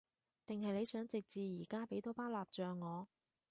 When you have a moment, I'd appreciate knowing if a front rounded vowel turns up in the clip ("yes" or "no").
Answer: yes